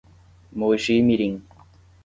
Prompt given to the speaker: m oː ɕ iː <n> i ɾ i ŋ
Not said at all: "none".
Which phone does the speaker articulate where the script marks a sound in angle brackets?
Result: m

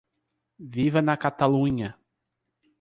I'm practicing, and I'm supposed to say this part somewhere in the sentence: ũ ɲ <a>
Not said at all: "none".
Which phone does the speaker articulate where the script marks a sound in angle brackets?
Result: ɐ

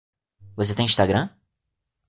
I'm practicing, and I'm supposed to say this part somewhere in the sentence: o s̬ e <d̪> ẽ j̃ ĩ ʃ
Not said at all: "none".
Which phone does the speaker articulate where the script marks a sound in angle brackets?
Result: t̪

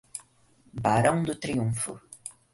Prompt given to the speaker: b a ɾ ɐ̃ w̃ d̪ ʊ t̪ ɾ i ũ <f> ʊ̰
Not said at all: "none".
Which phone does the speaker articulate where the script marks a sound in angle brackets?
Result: f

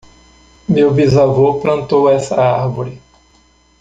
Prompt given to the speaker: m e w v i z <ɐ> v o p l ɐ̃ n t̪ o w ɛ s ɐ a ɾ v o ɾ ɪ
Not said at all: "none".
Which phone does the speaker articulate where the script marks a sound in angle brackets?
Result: a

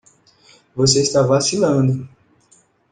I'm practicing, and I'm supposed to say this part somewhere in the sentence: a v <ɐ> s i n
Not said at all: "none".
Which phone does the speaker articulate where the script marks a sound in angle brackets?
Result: a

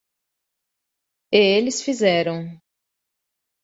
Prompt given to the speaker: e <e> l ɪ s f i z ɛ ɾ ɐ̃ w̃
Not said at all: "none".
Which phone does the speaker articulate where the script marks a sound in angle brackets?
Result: e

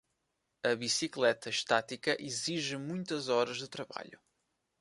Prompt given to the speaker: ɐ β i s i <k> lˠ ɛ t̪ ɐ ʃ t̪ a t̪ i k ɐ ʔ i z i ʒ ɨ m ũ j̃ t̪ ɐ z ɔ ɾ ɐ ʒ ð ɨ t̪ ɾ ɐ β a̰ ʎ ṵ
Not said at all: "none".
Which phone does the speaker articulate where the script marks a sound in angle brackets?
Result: k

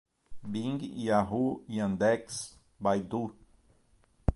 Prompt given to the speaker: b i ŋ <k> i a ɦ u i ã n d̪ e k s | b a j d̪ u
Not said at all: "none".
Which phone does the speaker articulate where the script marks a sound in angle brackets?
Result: ɡ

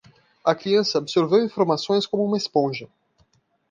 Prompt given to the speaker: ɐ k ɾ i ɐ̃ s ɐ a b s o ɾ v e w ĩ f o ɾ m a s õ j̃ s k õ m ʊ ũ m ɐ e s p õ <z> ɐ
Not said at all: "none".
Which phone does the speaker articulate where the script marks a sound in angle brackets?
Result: ʒ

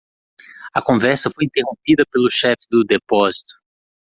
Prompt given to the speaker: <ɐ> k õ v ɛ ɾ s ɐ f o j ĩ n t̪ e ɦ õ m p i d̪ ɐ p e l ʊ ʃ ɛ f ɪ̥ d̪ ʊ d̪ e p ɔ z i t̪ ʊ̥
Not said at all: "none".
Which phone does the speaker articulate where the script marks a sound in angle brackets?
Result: ɐ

